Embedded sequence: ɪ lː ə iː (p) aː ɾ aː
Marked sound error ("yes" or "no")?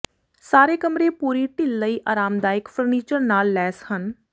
yes